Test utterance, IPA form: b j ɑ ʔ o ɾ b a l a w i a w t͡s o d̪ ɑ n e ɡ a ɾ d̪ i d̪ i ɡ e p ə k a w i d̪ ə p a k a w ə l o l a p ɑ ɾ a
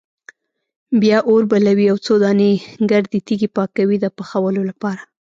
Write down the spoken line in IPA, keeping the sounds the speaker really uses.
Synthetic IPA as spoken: b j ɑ ʔ o ɾ b a l a w i a w t͡s o d̪ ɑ n e ɡ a ɾ d̪ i t̪ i ɡ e p ɑ k a w i d̪ ə p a x a w ə l o l a p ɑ ɾ a